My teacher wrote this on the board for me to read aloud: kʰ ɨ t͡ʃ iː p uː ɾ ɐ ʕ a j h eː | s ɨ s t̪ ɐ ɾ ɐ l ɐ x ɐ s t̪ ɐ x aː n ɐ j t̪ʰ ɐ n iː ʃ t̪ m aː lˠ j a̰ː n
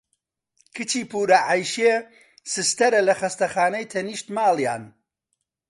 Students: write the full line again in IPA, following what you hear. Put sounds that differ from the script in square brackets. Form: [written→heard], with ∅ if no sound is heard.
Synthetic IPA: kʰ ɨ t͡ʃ iː p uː ɾ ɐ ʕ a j [h→ʃ] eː | s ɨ s t̪ ɐ ɾ ɐ l ɐ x ɐ s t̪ ɐ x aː n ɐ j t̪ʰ ɐ n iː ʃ t̪ m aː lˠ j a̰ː n